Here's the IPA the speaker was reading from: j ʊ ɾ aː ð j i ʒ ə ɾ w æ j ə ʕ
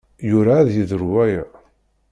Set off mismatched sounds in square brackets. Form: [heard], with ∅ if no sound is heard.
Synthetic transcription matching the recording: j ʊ ɾ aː ð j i [ð] ə ɾ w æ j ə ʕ